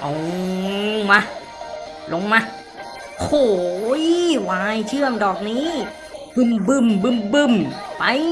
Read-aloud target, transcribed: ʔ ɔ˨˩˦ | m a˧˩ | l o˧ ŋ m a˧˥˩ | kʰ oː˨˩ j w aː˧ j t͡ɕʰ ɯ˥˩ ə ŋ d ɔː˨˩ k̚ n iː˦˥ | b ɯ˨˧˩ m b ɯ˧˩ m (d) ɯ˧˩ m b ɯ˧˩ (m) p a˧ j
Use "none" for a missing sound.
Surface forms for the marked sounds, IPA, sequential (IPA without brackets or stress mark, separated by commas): b, m